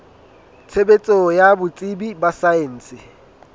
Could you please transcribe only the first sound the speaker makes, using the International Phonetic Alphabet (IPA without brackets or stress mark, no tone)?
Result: t͡sʰ